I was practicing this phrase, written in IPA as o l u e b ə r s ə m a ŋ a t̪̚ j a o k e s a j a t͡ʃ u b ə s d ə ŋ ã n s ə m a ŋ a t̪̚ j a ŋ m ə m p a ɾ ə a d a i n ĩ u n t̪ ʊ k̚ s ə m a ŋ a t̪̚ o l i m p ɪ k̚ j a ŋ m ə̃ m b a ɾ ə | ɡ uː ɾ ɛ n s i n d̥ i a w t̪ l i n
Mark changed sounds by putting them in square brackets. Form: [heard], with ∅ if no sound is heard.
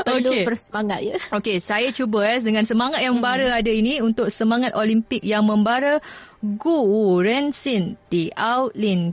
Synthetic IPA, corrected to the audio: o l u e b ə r s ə m a ŋ a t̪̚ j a o k e s a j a t͡ʃ u b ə s d ə ŋ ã n s ə m a ŋ a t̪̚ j a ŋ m ə m [b] a ɾ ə a d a i n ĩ u n t̪ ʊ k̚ s ə m a ŋ a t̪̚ o l i m p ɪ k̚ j a ŋ m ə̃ m b a ɾ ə | ɡ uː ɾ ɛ n s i n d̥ i a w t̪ l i n